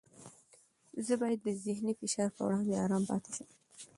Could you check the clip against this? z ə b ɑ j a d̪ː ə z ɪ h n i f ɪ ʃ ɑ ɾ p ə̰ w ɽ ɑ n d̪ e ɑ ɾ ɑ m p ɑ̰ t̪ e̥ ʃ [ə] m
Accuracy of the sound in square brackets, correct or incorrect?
correct